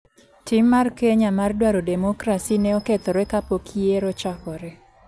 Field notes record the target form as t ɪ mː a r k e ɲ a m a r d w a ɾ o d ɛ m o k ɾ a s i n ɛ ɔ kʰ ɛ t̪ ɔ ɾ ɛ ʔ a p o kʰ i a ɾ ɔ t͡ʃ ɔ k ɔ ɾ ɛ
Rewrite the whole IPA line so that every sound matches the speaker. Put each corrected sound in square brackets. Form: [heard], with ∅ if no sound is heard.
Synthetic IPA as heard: t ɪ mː a r k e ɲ a m a r d w a ɾ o d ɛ m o k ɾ a s i n ɛ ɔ [k] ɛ t̪ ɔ ɾ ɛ [k] a p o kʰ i [e] ɾ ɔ t͡ʃ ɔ k ɔ ɾ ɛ